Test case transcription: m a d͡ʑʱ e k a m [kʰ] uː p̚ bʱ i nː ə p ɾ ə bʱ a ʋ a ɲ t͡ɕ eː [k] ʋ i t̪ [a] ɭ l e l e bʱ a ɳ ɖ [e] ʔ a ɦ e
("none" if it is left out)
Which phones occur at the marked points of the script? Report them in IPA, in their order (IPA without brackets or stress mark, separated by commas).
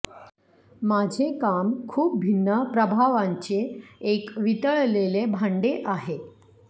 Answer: kʰ, k, ə, e